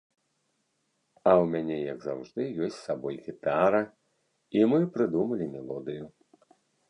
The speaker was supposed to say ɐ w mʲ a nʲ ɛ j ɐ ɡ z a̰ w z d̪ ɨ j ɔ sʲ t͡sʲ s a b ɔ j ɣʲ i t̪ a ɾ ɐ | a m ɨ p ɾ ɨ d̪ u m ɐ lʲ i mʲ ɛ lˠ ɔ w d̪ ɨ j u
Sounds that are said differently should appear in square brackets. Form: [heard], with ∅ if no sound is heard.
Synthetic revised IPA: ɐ w mʲ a nʲ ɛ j ɐ ɡ z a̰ w [ʐ] d̪ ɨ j ɔ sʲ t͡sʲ s a b ɔ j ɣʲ i t̪ a ɾ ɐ | [i] m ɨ p ɾ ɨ d̪ u m ɐ lʲ i mʲ ɛ lˠ ɔ [∅] d̪ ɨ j u